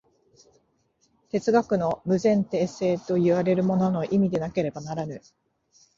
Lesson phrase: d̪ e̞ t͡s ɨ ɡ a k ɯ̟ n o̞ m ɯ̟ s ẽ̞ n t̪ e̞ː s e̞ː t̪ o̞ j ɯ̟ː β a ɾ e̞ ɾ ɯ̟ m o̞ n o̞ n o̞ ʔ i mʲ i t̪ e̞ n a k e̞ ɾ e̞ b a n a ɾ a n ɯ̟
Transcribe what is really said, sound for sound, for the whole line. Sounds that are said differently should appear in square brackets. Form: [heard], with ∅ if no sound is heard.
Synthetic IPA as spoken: [t̪] e̞ t͡s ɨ ɡ a k ɯ̟ n o̞ m ɯ̟ [z] ẽ̞ n t̪ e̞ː s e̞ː t̪ o̞ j [ɯ̟] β a ɾ e̞ ɾ ɯ̟ m o̞ n o̞ n o̞ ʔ i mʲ i [d̪] e̞ n a k e̞ ɾ e̞ b a n a ɾ a n ɯ̟

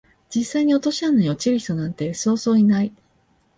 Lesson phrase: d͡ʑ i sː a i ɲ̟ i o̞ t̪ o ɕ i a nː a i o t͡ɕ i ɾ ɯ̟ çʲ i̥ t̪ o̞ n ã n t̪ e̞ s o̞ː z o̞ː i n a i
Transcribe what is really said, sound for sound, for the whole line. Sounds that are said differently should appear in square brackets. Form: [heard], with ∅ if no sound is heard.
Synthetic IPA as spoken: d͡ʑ i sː a i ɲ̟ i o̞ t̪ o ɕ i a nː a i o t͡ɕ i ɾ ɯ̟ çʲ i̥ t̪ o̞ n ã n t̪ e̞ s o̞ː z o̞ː i n a i

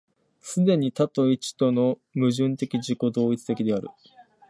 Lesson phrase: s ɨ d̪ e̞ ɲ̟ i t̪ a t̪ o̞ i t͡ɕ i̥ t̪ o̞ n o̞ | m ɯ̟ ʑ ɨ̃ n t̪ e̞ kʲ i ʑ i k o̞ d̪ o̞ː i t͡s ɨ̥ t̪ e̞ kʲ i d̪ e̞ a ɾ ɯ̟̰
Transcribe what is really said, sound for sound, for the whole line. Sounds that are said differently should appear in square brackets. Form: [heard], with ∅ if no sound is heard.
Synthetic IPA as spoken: s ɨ d̪ e̞ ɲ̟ i t̪ a t̪ o̞ i t͡ɕ i̥ t̪ o̞ n o̞ | m ɯ̟ ʑ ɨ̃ n t̪ e̞ kʲ i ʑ i k o̞ d̪ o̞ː i t͡s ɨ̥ t̪ e̞ kʲ i d̪ e̞ a ɾ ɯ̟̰

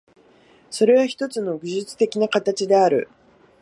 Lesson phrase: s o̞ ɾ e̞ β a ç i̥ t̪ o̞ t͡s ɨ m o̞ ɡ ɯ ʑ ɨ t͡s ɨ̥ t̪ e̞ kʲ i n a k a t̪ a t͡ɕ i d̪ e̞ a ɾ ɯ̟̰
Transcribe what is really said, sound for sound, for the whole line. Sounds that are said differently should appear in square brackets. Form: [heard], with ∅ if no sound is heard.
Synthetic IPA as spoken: s o̞ ɾ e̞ β a ç i̥ t̪ o̞ t͡s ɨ [n] o̞ ɡ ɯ ʑ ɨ t͡s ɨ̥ t̪ e̞ kʲ i n a k a t̪ a t͡ɕ i d̪ e̞ a ɾ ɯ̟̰

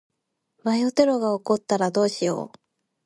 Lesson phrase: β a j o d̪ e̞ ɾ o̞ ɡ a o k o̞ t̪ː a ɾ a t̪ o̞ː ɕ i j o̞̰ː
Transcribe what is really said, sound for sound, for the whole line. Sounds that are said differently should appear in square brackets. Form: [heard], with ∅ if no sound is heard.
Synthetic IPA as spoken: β a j o [t̪] e̞ ɾ o̞ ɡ a o k o̞ t̪ː a ɾ a [d̪] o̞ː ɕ i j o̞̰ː

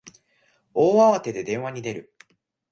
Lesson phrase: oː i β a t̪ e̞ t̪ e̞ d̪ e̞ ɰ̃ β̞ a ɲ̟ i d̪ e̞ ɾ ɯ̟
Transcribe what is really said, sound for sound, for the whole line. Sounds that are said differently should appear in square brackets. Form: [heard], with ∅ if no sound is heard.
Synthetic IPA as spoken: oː [a] β a t̪ e̞ [d̪] e̞ d̪ [ẽ̞] ɰ̃ β̞ a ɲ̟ i d̪ e̞ ɾ ɯ̟

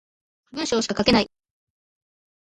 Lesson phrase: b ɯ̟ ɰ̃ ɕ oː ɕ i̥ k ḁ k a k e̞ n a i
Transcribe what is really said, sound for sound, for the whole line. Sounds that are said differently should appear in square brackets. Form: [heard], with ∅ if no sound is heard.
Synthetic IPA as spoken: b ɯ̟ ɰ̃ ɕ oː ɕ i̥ k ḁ k a k e̞ n a i

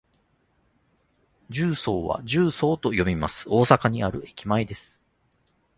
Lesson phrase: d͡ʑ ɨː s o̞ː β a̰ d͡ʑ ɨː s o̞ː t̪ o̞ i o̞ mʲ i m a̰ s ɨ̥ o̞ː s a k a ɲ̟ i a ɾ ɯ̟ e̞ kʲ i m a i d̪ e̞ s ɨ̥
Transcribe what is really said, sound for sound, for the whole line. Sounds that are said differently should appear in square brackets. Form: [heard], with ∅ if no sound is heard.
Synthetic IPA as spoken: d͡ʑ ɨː s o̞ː β a̰ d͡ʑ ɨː s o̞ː t̪ o̞ [j] o̞ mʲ i m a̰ s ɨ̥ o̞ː s a k a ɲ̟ i a ɾ ɯ̟ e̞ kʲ i m a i d̪ e̞ s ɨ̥

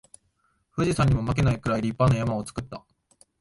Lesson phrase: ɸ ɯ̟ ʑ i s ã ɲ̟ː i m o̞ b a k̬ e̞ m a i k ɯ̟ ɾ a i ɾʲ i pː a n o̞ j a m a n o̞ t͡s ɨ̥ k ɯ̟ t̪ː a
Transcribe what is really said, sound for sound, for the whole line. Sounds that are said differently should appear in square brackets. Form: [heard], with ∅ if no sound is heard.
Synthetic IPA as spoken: ɸ ɯ̟ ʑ i s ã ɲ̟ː i m o̞ [m] a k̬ e̞ [n] a i k ɯ̟ ɾ a i ɾʲ i pː a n o̞ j a m a [∅] o̞ t͡s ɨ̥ k ɯ̟ t̪ː a

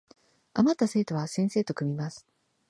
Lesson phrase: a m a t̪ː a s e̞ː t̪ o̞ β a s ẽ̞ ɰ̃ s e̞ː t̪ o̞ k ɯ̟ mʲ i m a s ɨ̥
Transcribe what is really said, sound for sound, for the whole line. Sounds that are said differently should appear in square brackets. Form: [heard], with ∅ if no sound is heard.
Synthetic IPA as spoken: a m a t̪ː a s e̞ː t̪ o̞ β a s ẽ̞ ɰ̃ s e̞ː t̪ o̞ k ɯ̟ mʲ i m a s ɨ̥

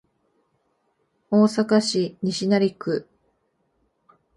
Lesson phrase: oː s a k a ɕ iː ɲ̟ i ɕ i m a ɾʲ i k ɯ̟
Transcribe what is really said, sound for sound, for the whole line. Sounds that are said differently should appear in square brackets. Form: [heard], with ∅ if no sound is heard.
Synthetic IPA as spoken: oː s a k a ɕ [i] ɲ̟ i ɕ i [n] a ɾʲ i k ɯ̟

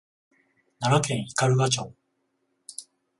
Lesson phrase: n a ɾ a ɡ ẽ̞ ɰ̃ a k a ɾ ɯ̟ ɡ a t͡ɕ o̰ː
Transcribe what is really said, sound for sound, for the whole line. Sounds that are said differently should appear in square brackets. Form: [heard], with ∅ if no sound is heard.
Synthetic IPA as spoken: n a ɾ a [k] ẽ̞ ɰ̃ [i] k a ɾ ɯ̟ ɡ a t͡ɕ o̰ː

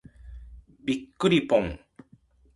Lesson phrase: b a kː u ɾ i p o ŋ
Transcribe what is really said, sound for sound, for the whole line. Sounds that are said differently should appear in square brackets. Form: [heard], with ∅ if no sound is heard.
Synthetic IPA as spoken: b [i] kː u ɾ i p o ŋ

